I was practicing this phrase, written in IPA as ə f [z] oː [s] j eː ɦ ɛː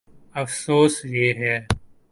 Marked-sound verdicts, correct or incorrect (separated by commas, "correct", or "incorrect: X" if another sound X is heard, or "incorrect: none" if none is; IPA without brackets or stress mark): incorrect: s, correct